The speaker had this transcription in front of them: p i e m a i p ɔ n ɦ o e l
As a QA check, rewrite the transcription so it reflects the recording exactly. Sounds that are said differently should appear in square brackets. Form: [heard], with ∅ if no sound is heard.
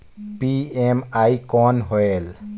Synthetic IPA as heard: p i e m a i [k] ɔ n ɦ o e l